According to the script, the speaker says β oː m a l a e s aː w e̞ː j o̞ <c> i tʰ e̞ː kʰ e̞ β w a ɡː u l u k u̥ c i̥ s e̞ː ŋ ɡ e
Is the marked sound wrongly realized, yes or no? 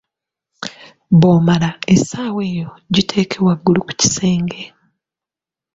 yes